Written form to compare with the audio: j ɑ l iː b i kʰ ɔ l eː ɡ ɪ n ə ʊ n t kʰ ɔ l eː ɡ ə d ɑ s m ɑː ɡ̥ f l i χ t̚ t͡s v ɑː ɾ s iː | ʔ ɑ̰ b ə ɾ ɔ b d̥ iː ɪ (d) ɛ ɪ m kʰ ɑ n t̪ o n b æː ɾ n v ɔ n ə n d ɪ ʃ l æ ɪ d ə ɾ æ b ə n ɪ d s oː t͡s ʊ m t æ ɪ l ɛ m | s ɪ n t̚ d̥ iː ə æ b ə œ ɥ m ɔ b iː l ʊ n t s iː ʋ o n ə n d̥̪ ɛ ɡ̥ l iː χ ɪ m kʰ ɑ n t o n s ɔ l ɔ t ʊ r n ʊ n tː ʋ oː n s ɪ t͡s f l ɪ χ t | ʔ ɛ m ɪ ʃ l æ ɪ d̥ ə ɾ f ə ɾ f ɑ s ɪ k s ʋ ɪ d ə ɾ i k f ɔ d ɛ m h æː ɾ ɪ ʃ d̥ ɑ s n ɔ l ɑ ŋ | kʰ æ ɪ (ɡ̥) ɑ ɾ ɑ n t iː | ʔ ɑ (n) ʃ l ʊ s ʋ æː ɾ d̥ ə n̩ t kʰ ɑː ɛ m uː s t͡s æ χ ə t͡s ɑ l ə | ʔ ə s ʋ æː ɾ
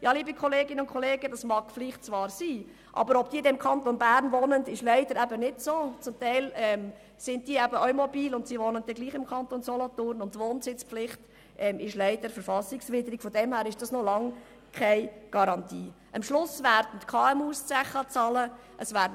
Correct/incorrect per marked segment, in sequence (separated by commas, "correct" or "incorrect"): correct, correct, incorrect